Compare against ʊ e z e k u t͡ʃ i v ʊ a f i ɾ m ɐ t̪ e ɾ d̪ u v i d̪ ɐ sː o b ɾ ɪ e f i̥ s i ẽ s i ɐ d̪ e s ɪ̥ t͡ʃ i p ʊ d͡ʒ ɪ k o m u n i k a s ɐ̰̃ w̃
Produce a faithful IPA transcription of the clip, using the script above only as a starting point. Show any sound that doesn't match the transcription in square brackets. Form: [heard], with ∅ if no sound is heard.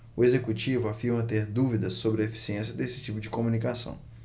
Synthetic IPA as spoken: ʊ e z e k u t͡ʃ i v ʊ a f i ɾ m ɐ t̪ e ɾ d̪ u v i d̪ ɐ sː o b ɾ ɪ e f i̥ s i ẽ s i ɐ d̪ e s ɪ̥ t͡ʃ i p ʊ d͡ʒ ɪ k o m u n i k a s ɐ̰̃ w̃